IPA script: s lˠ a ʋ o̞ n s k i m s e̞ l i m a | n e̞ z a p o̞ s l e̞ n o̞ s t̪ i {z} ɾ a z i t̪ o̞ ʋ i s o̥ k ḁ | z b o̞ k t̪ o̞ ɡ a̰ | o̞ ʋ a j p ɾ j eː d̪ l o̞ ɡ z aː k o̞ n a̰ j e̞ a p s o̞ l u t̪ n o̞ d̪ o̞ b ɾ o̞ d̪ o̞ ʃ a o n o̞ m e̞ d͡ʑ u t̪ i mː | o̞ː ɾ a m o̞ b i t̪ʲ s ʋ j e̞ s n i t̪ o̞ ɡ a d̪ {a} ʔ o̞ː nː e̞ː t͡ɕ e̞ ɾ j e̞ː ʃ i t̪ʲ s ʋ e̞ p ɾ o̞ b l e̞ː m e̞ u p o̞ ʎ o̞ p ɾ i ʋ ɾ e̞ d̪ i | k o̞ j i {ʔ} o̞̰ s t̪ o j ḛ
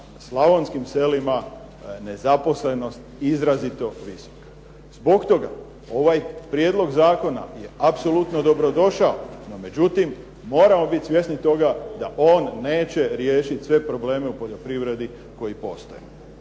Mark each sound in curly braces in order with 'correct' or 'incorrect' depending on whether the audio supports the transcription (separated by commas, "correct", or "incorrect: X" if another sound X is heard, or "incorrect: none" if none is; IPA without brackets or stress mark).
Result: correct, correct, incorrect: p